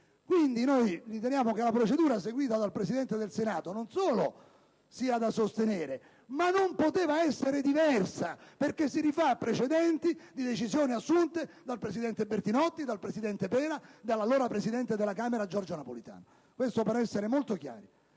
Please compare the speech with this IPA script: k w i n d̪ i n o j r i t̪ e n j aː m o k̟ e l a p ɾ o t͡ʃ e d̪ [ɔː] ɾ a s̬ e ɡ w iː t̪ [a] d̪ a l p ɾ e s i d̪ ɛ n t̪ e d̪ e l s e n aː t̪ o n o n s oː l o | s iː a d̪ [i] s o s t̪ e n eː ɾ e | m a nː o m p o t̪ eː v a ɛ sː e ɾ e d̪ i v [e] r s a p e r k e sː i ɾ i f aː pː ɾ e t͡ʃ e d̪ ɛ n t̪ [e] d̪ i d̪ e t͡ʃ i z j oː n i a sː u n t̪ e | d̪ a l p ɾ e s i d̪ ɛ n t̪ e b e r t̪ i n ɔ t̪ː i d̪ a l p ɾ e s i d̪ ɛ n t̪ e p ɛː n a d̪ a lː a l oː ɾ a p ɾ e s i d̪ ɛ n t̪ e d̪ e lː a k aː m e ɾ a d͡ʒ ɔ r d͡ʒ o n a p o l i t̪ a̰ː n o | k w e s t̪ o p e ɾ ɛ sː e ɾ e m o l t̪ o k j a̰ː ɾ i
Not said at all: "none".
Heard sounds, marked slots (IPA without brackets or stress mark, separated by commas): uː, a, a, ɛ, i